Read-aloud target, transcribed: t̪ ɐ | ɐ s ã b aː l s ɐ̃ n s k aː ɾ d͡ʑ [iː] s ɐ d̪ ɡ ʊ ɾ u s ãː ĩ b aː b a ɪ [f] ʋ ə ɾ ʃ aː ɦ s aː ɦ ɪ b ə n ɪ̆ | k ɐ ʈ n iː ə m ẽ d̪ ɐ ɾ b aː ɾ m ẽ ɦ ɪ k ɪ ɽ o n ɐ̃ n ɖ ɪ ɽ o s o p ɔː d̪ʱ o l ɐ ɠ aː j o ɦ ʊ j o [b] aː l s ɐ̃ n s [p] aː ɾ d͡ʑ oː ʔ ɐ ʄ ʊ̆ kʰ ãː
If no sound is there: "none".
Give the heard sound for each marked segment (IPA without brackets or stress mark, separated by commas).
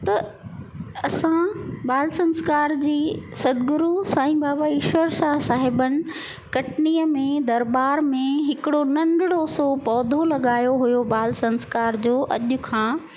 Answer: iː, ʃ, b, k